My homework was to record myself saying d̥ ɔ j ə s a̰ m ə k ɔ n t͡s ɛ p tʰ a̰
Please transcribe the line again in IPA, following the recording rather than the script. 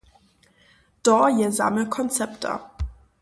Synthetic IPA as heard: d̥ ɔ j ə z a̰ m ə kʰ ɔ n t͡s ɛ p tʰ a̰